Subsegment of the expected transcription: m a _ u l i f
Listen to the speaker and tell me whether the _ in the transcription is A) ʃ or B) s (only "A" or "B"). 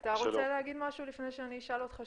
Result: A